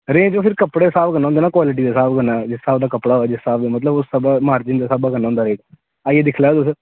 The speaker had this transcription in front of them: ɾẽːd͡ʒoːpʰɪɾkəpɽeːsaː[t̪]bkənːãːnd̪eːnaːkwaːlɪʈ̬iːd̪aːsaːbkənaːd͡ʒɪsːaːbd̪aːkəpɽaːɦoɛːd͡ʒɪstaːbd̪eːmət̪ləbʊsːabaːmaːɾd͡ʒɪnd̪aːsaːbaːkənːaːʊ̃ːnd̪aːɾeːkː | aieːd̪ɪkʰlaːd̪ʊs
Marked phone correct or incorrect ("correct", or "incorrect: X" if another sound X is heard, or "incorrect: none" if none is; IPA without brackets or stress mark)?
incorrect: none